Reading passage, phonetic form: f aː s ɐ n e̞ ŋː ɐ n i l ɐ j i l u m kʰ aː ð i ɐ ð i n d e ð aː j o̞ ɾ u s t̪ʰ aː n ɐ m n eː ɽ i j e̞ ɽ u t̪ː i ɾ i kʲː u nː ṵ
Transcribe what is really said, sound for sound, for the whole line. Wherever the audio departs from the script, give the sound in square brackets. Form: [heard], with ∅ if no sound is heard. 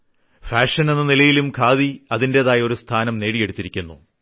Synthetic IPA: f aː [ʂ] ɐ n e̞ [nː] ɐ n i l ɐ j i l u m kʰ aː ð i ɐ ð i n d e ð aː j o̞ ɾ u s t̪ʰ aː n ɐ m n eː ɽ i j e̞ ɽ u t̪ː i ɾ i kʲː u nː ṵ